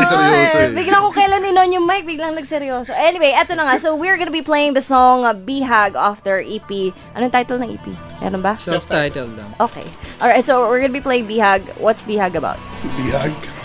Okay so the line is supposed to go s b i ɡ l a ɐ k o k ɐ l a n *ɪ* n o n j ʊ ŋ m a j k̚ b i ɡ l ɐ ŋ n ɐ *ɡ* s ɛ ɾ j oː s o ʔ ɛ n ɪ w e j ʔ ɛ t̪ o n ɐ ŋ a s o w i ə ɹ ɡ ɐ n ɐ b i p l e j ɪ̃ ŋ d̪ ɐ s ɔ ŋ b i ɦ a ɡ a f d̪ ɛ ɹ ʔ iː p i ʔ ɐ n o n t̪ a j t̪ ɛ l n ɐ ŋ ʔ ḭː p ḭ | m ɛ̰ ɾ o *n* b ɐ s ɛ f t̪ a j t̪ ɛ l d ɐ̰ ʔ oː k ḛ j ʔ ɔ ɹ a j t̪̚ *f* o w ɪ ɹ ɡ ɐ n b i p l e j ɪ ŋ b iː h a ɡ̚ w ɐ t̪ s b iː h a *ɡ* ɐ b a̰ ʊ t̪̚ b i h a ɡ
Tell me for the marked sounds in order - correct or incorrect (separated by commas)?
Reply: correct, correct, correct, incorrect, correct